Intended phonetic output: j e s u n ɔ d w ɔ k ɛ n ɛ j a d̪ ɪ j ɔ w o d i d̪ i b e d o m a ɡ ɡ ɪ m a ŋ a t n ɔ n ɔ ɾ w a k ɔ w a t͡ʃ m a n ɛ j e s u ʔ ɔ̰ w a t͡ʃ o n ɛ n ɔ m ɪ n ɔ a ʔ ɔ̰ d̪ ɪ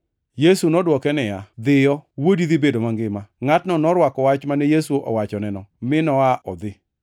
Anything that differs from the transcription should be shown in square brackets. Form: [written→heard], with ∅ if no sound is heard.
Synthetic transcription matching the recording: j e s u n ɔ d w ɔ k ɛ n ɛ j a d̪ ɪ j ɔ w o d i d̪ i b e d o m a [ɡ→ŋ] ɡ ɪ m a ŋ a t n ɔ n ɔ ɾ w a k ɔ w a t͡ʃ m a n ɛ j e s u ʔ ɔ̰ w a t͡ʃ [o→ɔ] n ɛ n ɔ m ɪ n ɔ a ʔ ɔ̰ d̪ ɪ